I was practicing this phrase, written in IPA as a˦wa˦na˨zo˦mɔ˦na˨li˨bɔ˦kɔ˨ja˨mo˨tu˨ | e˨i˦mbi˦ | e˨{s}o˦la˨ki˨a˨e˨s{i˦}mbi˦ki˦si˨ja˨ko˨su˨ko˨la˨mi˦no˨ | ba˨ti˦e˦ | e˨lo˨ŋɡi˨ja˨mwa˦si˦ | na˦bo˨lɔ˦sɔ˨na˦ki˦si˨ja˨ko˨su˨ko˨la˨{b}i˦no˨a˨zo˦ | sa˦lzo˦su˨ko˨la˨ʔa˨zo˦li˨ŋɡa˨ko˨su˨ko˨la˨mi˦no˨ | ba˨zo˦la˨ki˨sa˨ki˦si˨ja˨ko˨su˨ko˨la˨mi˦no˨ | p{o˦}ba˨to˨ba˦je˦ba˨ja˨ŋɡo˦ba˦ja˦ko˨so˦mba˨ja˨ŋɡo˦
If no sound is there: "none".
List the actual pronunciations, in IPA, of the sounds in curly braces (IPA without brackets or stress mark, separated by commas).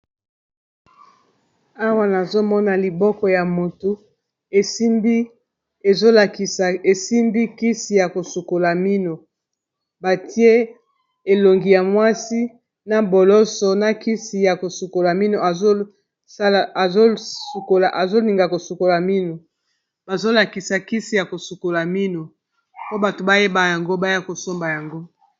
z, i˦, m, o˦